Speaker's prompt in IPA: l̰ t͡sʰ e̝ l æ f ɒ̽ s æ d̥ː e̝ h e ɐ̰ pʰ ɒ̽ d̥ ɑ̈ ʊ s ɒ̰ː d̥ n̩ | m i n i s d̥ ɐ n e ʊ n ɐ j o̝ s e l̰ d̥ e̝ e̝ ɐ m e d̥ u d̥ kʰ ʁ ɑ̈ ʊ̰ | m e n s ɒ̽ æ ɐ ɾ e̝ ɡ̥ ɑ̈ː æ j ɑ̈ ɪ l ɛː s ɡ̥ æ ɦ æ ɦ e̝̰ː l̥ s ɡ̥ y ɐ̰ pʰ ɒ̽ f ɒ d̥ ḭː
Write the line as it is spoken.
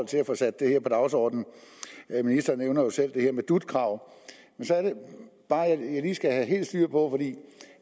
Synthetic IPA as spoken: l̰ t͡sʰ e̝ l æ f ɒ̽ s æ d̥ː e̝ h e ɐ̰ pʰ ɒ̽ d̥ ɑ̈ ʊ s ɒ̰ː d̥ n̩ | m i n i s d̥ ɐ n e ʊ n ɐ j o̝ s e l̰ d̥ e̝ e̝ ɐ m e d̥ u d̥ kʰ ʁ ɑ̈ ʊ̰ | m e n s ɒ̽ æ ɐ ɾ e̝ b̥ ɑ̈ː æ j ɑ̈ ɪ l iː s ɡ̥ æ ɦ æ ɦ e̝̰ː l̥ s d̥ y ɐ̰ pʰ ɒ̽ f ɒ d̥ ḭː